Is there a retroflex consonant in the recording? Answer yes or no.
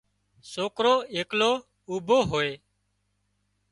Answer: no